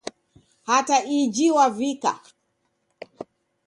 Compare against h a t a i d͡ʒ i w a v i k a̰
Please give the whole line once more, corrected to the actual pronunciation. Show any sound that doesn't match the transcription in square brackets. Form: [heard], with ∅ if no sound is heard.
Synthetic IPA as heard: h a t a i d͡ʒ i w a v i k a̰